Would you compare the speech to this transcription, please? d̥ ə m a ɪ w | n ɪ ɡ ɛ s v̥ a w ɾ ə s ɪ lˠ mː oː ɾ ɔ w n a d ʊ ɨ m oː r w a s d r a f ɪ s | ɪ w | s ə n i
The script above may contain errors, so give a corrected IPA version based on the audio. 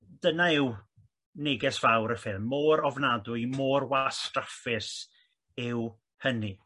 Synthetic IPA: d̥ ə n a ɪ w | n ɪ ɡ ɛ s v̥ a w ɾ ə f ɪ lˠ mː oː ɾ ɔ v n a d ʊ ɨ m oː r w a s t r a f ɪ s | ɪ w | h ə n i